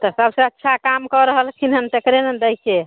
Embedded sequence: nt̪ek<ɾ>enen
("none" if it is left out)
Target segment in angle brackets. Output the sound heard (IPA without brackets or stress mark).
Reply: ɾ